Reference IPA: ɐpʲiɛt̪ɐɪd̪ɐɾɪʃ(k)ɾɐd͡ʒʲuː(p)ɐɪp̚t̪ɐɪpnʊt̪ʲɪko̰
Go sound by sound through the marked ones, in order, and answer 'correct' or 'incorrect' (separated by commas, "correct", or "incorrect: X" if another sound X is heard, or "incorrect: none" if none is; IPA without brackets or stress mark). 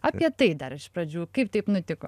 incorrect: p, incorrect: k